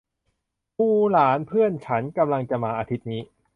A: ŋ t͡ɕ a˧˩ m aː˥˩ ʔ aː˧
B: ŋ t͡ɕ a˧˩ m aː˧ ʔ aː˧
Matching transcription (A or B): B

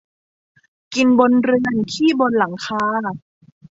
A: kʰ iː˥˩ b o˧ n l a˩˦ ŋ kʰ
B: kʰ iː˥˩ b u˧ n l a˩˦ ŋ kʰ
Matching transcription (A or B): A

